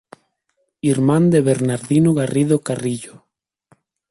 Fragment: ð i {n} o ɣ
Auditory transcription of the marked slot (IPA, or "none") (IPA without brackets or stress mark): n